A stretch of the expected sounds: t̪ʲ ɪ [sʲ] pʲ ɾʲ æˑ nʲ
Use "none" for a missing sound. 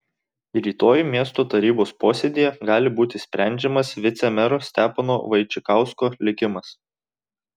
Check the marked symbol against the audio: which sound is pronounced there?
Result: sʲ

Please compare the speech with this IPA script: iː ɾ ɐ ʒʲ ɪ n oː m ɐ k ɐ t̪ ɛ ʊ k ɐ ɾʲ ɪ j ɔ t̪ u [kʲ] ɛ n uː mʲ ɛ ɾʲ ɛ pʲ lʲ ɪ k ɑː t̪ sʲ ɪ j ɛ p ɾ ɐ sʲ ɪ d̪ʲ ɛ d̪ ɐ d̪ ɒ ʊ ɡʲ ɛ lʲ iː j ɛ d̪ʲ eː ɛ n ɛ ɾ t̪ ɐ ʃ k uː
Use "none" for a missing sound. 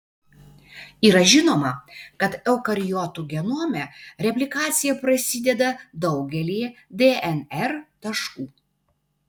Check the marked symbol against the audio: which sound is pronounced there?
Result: ɡʲ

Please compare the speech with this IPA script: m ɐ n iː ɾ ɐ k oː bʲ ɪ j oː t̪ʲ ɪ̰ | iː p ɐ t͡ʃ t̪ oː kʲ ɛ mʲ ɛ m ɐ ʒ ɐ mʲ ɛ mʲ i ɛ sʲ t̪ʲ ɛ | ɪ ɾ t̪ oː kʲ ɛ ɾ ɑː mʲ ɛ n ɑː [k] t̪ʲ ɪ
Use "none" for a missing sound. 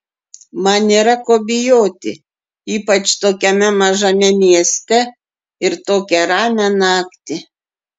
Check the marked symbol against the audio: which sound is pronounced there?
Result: k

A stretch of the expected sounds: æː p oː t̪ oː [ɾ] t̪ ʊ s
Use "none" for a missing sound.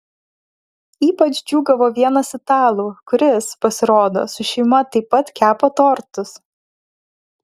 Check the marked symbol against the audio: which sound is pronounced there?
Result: ɾ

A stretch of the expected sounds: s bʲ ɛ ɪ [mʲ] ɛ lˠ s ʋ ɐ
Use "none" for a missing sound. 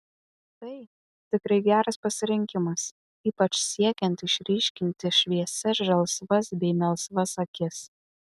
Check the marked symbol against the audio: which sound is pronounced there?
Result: mʲ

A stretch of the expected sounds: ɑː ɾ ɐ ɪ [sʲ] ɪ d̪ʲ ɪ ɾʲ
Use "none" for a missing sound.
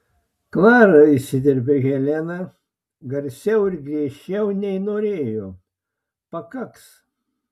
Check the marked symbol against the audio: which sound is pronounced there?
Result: sʲ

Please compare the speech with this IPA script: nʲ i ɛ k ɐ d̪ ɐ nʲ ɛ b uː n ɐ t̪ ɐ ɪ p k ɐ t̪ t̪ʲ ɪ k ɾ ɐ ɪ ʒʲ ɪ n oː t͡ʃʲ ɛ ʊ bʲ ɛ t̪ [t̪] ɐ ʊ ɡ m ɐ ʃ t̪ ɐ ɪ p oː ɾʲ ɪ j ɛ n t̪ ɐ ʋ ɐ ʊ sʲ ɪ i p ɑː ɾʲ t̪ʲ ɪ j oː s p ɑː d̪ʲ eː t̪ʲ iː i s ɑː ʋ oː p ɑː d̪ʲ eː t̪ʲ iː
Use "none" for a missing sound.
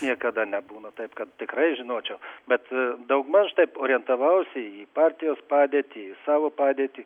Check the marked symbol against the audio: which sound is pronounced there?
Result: d̪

